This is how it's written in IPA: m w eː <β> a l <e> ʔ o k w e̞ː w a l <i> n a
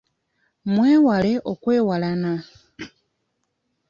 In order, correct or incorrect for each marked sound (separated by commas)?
incorrect, correct, incorrect